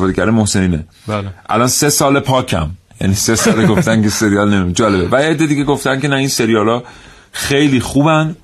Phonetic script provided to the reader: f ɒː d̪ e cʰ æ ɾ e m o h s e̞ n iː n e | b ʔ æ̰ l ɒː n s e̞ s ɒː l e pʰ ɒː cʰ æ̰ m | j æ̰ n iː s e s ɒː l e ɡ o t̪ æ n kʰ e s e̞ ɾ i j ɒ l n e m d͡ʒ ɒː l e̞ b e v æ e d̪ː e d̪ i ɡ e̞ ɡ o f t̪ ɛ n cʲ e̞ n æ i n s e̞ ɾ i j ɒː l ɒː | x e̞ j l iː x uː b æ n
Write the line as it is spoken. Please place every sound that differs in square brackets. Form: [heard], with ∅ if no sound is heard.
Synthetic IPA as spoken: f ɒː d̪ e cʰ æ ɾ e m o h s e̞ n iː n e | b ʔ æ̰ l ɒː n s e̞ s ɒː l e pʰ ɒː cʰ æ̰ m | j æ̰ n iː s e s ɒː l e ɡ o t̪ æ n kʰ e s e̞ ɾ i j ɒ l n e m d͡ʒ ɒː l e̞ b e v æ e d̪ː e d̪ i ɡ e̞ ɡ o f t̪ [æ] n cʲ e̞ n æ i n s e̞ ɾ i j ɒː l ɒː | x e̞ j l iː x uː b æ n